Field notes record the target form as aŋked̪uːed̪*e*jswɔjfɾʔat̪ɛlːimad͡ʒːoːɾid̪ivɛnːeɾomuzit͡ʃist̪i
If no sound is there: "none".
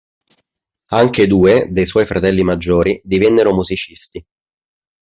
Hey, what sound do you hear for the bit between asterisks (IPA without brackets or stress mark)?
e